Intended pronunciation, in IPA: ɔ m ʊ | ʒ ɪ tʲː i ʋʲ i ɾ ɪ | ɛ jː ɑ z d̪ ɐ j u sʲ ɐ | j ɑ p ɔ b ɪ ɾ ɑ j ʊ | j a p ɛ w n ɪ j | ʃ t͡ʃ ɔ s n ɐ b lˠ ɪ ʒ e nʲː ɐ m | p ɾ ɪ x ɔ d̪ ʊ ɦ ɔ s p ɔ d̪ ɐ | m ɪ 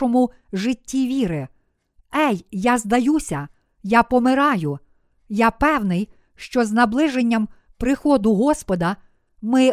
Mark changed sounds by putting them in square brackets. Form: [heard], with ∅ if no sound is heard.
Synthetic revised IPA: ɔ m ʊ | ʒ ɪ tʲː i ʋʲ i ɾ ɪ | ɛ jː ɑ z d̪ ɐ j u sʲ ɐ | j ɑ p ɔ [m] ɪ ɾ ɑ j ʊ | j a p ɛ w n ɪ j | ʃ t͡ʃ ɔ [z] n ɐ b lˠ ɪ ʒ e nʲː ɐ m | p ɾ ɪ x ɔ d̪ ʊ ɦ ɔ s p ɔ d̪ ɐ | m ɪ